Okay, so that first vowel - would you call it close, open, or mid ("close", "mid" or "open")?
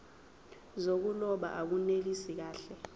mid